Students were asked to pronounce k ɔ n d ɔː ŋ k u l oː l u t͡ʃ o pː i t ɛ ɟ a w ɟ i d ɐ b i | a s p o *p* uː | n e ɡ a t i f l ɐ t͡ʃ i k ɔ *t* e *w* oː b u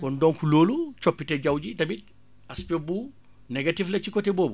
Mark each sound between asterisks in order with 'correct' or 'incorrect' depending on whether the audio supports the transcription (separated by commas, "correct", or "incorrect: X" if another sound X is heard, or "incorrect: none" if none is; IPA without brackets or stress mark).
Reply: incorrect: b, correct, incorrect: b